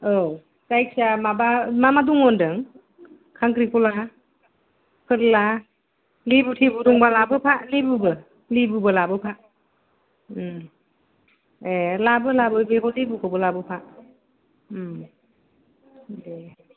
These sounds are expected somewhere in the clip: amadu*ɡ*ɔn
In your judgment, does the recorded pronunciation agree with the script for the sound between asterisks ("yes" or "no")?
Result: no